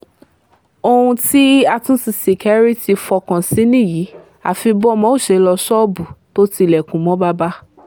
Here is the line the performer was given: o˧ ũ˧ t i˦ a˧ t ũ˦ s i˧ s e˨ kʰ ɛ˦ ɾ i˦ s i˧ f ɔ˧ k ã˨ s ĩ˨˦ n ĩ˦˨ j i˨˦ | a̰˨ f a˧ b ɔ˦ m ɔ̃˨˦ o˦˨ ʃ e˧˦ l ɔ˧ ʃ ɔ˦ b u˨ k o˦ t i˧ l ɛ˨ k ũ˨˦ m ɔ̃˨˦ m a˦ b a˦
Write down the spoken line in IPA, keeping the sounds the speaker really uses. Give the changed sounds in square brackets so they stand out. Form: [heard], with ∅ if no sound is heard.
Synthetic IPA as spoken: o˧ ũ˧ t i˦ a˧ t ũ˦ s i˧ s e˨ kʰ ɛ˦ ɾ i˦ [t] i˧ f ɔ˧ k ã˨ s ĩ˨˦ n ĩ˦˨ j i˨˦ | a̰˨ f [i˧] b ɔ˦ m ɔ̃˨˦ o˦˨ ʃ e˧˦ l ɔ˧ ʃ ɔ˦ b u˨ [t] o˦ t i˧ l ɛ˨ k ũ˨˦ m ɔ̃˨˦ [b] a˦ b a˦

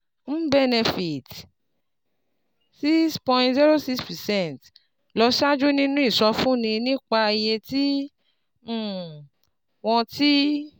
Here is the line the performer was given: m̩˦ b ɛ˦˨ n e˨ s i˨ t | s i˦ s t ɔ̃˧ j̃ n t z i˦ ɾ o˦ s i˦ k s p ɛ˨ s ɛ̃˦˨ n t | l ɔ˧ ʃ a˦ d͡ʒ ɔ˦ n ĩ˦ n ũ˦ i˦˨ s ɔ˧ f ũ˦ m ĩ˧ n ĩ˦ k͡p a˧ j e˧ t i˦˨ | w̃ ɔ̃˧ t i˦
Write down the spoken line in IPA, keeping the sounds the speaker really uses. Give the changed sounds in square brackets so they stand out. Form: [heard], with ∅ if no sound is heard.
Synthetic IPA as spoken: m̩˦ b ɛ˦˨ n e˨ [f] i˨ t | s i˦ s [p] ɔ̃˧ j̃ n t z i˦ ɾ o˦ s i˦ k s p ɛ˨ s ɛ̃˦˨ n t | l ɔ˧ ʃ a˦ d͡ʒ [u˦] n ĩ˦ n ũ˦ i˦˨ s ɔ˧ f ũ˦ [n] ĩ˧ n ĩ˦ k͡p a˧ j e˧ t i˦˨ | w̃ ɔ̃˧ t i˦

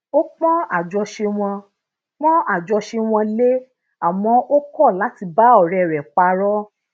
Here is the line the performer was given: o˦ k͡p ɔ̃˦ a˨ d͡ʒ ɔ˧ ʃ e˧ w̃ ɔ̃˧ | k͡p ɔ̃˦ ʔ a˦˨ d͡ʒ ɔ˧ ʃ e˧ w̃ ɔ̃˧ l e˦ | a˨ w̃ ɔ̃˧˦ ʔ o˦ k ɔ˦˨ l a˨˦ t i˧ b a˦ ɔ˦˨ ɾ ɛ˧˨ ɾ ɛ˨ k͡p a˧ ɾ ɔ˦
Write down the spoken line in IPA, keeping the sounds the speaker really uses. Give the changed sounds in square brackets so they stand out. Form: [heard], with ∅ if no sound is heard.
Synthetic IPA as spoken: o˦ k͡p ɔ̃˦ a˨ d͡ʒ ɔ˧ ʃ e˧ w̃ ɔ̃˧ | k͡p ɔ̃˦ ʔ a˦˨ d͡ʒ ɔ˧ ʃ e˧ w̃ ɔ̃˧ l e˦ | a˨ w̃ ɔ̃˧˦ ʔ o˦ k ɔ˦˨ l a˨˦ t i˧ b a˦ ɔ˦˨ ɾ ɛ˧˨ ɾ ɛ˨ k͡p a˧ ɾ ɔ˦

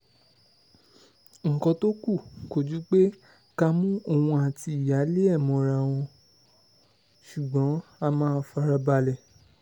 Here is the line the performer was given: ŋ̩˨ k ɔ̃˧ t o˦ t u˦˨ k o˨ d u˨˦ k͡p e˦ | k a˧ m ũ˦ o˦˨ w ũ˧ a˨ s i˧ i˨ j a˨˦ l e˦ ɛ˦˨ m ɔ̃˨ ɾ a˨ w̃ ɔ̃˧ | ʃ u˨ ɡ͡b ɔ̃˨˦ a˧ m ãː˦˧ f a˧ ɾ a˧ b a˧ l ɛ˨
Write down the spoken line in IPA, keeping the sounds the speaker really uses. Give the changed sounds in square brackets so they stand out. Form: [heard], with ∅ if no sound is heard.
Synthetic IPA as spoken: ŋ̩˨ k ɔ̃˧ t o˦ [k] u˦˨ k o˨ [d͡ʒ] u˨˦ k͡p e˦ | k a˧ m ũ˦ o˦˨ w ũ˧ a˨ [t] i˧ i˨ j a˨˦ l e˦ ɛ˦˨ m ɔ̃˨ ɾ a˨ w̃ ɔ̃˧ | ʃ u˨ ɡ͡b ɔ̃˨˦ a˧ m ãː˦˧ f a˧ ɾ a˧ b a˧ l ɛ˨

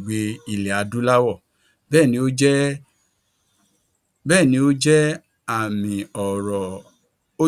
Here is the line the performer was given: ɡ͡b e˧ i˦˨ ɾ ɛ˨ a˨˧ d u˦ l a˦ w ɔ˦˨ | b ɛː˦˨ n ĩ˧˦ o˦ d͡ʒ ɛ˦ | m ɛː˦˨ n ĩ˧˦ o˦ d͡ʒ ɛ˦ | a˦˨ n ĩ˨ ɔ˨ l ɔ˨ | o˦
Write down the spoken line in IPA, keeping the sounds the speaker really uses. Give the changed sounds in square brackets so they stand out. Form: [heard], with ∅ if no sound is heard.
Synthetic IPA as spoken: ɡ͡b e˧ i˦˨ [l] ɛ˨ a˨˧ d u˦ l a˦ w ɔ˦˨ | b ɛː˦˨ n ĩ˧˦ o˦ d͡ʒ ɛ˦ | [b] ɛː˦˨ n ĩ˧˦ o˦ d͡ʒ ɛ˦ | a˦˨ [m] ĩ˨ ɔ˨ [ɾ] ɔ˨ | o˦

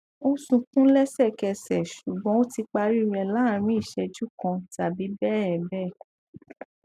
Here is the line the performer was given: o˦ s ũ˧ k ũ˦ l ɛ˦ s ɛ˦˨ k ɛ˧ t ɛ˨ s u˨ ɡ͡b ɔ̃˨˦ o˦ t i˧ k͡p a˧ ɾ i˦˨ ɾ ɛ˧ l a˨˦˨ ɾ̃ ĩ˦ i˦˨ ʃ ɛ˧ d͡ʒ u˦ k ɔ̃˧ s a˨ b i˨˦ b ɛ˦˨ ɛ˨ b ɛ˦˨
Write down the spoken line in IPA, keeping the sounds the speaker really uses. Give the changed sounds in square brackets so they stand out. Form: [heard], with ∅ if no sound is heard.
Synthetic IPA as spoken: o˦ s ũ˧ k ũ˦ l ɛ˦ s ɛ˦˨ k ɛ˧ [s] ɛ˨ [ʃ] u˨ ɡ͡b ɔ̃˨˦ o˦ t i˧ k͡p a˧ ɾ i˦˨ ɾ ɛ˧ l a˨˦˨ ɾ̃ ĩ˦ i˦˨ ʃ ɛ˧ d͡ʒ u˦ k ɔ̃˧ [t] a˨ b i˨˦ b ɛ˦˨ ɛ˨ b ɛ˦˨

